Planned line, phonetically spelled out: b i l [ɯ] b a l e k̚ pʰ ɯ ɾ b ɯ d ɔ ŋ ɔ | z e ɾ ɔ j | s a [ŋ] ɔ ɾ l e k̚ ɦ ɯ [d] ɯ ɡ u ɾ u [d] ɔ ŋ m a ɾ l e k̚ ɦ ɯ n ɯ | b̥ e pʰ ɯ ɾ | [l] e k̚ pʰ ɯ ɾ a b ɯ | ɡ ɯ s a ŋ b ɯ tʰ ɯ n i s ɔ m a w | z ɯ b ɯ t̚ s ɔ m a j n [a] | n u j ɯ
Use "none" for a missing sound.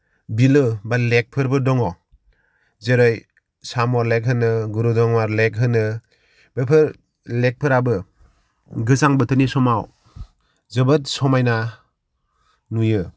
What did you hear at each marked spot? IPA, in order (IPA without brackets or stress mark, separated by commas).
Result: ɯ, m, n, d, l, a